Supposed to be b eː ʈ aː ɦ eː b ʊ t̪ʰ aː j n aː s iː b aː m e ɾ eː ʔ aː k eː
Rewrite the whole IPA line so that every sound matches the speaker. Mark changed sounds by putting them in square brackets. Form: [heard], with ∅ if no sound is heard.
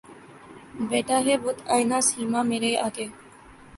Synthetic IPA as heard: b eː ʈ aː ɦ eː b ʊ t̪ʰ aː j n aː s iː [m] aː m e ɾ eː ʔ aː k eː